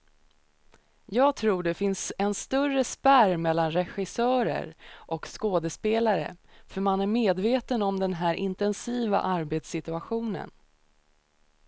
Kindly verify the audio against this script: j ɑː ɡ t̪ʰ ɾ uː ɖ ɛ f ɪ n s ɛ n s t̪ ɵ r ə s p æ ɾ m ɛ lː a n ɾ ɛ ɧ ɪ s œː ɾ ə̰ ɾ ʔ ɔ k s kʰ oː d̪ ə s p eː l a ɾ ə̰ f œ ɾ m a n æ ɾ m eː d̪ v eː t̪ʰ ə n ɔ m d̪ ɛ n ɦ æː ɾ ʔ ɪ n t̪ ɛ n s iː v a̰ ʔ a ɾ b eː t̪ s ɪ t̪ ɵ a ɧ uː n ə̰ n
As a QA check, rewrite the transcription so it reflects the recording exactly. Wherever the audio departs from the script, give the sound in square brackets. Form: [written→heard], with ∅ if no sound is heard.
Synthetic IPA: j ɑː ɡ t̪ʰ ɾ uː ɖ ɛ f ɪ n s ɛ n s t̪ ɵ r ə s p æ ɾ m ɛ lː a n ɾ ɛ ɧ ɪ s œː ɾ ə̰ ɾ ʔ ɔ k s [kʰ→k] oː d̪ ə s p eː l a ɾ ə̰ f œ ɾ m a n æ ɾ m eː d̪ v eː [t̪ʰ→t̪] ə n ɔ m d̪ ɛ n ɦ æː ɾ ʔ ɪ n t̪ ɛ n s iː v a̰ ʔ a ɾ b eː t̪ s ɪ t̪ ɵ a ɧ uː n ə̰ n